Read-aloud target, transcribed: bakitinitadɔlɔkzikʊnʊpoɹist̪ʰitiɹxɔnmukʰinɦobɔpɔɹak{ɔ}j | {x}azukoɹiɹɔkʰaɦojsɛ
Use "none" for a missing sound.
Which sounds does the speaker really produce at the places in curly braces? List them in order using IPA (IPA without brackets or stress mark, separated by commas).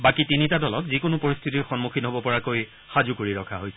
o, x